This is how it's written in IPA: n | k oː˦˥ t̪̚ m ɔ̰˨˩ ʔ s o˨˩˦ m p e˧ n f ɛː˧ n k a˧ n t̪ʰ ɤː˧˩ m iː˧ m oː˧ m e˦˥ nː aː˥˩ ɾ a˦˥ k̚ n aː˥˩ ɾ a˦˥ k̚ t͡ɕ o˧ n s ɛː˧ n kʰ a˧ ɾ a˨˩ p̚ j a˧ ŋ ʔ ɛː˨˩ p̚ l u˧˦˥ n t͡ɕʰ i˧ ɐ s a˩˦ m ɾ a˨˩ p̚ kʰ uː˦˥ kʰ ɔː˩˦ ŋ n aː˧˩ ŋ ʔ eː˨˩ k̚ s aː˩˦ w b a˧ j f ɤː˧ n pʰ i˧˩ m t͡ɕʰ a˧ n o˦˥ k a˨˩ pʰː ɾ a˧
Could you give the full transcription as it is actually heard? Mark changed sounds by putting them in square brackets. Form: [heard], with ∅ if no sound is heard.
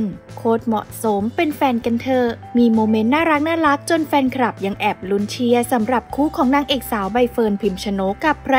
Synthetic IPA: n | [kʰ] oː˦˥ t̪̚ m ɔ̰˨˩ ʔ s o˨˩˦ m p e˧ n f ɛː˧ n k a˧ n t̪ʰ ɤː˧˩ m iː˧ m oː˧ m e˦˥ nː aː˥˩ ɾ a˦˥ k̚ n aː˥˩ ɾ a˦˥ k̚ t͡ɕ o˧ n [f] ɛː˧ n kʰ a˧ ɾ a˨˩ p̚ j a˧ ŋ ʔ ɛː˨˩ p̚ l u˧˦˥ n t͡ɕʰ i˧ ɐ s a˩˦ m ɾ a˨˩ p̚ kʰ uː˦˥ kʰ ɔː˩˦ ŋ n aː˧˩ ŋ ʔ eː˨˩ k̚ s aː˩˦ w b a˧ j f ɤː˧ n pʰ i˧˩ m t͡ɕʰ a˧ n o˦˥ k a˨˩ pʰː ɾ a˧